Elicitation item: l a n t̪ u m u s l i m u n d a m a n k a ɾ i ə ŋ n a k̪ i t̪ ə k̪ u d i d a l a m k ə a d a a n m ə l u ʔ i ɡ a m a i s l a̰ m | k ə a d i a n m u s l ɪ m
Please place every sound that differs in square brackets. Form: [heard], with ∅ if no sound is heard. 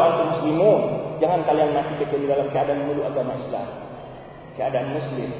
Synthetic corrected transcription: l a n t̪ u m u s l i m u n [d͡ʒ] a [ŋ] a n k a [l] i [a] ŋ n a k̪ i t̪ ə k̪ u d i d a l a m k ə a d a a n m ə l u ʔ [a] ɡ a m a i s l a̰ m | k ə a d [a] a n m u s l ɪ m